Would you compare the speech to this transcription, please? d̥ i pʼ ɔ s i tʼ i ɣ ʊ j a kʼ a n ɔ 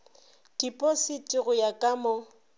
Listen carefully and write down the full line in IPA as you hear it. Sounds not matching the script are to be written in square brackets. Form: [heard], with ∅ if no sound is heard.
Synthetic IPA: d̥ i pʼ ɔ s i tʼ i ɣ ʊ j a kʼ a [m] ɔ